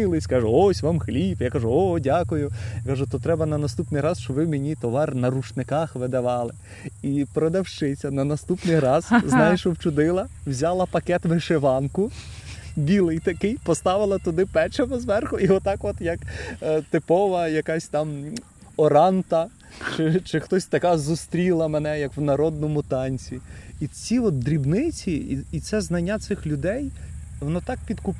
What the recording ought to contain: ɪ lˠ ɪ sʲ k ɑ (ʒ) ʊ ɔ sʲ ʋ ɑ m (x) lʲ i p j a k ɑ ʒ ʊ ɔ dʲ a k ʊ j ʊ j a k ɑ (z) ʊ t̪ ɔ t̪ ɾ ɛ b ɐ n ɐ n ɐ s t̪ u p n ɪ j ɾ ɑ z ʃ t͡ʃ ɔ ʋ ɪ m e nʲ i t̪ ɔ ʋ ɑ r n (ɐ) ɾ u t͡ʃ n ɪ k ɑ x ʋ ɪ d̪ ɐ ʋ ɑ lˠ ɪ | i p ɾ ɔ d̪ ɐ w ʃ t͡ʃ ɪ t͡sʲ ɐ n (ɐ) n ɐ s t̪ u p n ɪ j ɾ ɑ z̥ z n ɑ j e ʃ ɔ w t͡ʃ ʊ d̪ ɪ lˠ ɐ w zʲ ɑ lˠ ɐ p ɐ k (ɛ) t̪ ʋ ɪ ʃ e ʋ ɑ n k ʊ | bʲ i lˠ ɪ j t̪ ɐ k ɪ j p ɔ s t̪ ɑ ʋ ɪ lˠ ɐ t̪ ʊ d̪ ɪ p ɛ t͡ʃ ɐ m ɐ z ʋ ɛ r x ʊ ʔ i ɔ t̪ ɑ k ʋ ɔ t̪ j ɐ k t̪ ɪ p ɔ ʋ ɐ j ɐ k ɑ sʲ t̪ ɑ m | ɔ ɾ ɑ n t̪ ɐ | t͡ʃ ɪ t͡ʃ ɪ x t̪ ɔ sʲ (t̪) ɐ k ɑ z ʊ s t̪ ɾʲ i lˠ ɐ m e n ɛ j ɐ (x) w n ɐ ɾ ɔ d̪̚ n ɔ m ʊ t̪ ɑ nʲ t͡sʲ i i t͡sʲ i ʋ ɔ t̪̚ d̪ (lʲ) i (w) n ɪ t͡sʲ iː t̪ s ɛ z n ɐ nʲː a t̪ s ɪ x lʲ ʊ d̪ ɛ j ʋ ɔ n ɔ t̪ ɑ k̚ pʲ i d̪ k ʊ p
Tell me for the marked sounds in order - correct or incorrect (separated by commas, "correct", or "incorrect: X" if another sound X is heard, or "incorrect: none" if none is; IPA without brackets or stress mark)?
correct, correct, incorrect: ʒ, correct, correct, correct, correct, incorrect: k, incorrect: ɾʲ, incorrect: b